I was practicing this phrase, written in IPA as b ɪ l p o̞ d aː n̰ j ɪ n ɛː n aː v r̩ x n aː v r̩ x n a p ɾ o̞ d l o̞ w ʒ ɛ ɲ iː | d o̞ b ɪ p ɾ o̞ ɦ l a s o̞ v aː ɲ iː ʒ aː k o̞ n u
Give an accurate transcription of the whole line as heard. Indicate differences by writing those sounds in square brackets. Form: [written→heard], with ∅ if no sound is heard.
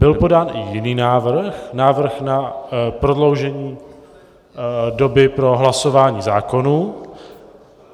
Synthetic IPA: b ɪ l p o̞ d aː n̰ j ɪ n [ɛː→iː] n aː v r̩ x n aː v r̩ x n a p ɾ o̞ d l o̞ w ʒ ɛ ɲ iː | d o̞ b ɪ p ɾ o̞ ɦ l a s o̞ v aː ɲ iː [ʒ→z] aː k o̞ n u